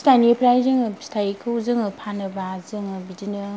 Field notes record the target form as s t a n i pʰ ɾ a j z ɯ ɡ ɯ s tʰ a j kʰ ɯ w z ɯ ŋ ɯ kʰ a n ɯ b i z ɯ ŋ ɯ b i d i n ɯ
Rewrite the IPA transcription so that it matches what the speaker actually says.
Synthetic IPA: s t a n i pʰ ɾ a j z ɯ ŋ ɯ s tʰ a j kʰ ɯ w z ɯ ŋ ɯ pʰ a n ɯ b a z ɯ ŋ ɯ b i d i n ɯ